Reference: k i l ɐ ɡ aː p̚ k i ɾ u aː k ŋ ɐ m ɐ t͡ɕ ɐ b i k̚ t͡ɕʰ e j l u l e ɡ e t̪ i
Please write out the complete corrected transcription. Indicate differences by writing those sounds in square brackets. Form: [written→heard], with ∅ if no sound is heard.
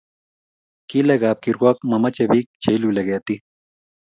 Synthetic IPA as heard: k i l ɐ ɡ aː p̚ k i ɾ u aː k [ŋ→m] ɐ m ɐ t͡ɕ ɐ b i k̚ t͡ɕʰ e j l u l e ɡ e t̪ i